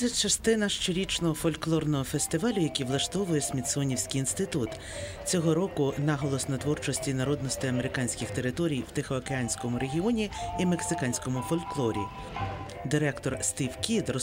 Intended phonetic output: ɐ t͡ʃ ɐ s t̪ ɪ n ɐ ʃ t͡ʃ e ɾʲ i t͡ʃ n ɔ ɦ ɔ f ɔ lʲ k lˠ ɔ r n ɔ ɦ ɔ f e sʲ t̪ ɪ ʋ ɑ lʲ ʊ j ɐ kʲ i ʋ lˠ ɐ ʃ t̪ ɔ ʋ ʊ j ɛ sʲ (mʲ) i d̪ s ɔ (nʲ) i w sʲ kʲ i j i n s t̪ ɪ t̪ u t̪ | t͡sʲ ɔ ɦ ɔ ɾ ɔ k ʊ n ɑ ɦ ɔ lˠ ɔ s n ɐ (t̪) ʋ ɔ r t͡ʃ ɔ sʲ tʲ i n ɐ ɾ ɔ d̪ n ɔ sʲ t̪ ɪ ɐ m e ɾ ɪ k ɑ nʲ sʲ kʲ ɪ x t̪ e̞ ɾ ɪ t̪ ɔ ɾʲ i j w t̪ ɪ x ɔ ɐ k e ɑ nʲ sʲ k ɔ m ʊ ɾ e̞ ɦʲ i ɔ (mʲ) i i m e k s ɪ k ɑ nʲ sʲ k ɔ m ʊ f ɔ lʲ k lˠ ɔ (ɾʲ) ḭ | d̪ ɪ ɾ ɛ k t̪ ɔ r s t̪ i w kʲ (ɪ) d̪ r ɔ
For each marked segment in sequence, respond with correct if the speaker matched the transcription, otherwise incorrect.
correct, correct, correct, incorrect: nʲ, correct, incorrect: i

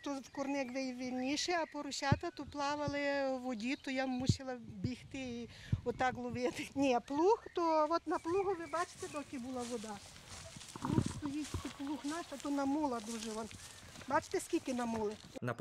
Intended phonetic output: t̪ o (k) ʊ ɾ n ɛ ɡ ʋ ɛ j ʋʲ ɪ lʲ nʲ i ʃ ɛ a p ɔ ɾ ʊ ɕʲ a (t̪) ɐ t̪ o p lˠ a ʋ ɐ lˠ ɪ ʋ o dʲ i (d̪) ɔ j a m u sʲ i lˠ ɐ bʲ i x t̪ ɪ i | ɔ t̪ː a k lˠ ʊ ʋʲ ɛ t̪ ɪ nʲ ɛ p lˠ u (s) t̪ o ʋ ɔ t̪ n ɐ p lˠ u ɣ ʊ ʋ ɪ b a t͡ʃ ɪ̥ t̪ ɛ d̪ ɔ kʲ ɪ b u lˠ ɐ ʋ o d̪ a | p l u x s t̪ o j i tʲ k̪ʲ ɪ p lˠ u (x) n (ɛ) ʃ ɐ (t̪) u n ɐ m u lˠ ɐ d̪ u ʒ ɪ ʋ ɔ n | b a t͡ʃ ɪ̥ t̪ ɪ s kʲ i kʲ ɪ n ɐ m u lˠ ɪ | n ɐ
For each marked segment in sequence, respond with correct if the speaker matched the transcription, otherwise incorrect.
correct, correct, incorrect: t̪, incorrect: x, correct, incorrect: a, correct

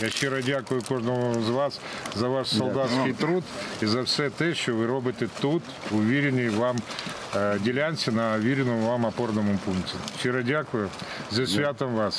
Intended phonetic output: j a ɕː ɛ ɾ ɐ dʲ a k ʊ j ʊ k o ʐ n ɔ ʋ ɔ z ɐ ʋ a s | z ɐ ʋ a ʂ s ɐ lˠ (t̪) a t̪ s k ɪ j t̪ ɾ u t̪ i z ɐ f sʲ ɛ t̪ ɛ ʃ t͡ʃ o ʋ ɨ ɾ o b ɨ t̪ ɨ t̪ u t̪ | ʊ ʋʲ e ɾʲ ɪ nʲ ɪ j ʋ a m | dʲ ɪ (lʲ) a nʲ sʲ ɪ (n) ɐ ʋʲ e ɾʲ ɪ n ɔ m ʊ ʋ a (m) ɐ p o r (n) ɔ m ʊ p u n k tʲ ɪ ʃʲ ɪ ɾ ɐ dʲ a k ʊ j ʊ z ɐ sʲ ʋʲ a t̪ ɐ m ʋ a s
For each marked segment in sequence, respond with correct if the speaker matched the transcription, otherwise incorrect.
incorrect: d̪, correct, correct, correct, correct

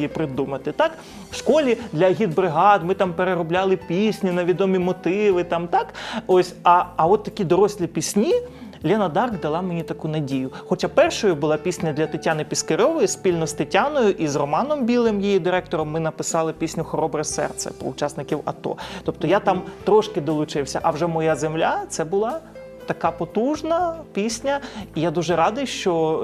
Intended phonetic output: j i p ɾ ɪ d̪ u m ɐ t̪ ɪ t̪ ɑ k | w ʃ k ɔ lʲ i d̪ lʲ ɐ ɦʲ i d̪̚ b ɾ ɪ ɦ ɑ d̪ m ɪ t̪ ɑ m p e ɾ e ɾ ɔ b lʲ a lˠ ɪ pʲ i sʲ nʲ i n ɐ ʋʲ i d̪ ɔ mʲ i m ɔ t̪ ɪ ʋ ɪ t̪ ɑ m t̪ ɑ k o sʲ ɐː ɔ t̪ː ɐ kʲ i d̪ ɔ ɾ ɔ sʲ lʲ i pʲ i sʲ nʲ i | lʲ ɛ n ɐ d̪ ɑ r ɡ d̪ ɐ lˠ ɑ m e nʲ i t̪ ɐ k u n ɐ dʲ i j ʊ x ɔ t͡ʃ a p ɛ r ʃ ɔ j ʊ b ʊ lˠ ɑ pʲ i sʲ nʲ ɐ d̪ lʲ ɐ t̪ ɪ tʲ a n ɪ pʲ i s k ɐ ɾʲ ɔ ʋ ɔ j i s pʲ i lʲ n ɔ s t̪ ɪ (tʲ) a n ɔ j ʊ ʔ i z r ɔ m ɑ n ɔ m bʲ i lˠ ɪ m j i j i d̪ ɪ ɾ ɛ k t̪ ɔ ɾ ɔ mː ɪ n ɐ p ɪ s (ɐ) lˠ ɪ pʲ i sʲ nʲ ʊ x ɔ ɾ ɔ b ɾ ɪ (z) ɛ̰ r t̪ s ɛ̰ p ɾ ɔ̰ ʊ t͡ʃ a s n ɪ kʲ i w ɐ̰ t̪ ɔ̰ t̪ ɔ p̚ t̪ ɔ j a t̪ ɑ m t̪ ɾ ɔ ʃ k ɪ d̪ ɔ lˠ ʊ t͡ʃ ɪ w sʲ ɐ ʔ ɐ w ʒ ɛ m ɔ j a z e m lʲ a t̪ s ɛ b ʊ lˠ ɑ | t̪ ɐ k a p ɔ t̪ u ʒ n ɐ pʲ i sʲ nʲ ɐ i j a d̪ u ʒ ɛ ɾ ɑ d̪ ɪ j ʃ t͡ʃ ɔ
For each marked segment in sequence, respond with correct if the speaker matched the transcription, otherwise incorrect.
correct, incorrect: ɑ, incorrect: s

